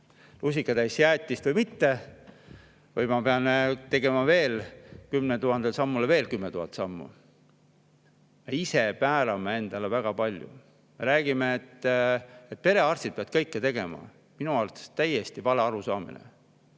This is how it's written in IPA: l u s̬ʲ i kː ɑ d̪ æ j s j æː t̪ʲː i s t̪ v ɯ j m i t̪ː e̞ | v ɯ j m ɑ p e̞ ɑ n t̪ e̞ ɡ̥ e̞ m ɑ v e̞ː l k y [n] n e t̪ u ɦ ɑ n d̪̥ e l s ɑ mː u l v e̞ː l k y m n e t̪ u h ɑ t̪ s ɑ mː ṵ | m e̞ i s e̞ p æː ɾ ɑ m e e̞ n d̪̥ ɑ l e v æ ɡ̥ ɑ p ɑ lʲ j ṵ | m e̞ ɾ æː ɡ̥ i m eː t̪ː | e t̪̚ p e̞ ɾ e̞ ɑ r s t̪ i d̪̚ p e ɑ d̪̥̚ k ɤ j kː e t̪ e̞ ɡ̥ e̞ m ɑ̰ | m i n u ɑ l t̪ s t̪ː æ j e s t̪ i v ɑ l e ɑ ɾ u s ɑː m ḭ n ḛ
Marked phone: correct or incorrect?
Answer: incorrect